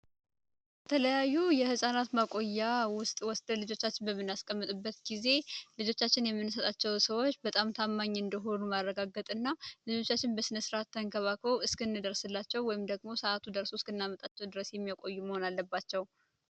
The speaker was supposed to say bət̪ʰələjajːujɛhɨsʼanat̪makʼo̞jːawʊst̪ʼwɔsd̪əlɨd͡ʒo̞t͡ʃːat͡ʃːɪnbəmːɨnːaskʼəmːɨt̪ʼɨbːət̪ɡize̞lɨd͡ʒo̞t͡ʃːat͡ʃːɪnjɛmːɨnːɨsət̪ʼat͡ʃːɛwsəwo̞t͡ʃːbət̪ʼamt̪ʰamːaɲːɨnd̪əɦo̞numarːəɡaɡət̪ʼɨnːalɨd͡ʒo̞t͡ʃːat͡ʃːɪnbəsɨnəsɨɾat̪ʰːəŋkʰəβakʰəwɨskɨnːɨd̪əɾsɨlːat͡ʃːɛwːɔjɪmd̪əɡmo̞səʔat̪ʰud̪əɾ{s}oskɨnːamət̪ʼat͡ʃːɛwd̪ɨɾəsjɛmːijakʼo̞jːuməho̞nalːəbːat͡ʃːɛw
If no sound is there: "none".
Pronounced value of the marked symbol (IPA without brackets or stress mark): s